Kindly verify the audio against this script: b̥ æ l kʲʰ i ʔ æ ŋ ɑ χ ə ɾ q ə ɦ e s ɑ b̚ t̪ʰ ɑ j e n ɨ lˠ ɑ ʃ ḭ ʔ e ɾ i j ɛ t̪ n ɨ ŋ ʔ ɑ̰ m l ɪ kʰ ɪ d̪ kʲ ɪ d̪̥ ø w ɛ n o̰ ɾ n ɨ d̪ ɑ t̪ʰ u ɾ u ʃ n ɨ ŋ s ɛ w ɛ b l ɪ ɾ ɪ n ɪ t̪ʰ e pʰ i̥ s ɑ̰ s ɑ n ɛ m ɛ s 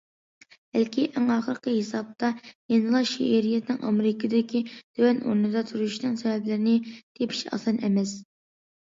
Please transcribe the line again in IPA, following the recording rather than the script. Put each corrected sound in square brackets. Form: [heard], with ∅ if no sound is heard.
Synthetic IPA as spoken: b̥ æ l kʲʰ i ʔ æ ŋ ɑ χ ə ɾ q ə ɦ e s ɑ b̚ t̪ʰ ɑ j e n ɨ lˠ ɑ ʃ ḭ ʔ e ɾ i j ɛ t̪ n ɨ ŋ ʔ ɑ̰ m [ɾ] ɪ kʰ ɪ d̪ kʲ [i] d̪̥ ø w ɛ n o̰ ɾ n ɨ d̪ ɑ t̪ʰ u ɾ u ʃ n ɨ ŋ s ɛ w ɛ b l ɪ ɾ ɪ n ɪ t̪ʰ e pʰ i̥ [ʃ] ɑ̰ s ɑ n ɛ m ɛ s